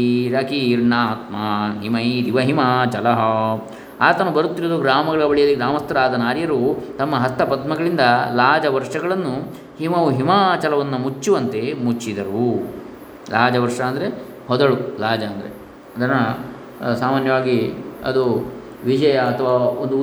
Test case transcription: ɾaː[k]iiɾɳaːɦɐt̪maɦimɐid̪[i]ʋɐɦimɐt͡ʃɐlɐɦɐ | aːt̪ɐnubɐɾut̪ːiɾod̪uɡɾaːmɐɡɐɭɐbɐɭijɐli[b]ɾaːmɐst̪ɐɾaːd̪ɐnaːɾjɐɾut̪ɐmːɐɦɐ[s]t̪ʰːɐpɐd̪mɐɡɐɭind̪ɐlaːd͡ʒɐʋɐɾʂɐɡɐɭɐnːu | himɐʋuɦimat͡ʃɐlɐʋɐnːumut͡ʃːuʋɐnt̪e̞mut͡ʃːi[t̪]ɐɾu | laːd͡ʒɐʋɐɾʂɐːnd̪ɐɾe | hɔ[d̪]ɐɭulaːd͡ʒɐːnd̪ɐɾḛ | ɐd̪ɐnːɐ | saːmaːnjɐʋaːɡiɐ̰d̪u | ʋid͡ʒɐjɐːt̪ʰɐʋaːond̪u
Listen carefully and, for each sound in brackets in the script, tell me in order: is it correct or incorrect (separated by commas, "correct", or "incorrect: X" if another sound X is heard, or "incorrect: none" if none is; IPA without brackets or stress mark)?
correct, correct, incorrect: ɡ, correct, incorrect: d̪, correct